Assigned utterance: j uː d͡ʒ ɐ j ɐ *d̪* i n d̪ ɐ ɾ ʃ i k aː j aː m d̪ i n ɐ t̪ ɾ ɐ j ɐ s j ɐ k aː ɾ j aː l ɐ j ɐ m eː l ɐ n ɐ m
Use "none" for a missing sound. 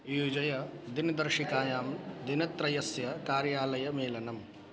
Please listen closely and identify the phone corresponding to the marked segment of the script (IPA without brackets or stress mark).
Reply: d̪